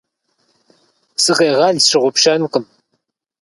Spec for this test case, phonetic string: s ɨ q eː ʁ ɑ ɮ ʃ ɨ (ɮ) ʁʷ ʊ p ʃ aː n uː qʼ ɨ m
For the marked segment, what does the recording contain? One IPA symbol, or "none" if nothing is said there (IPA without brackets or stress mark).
none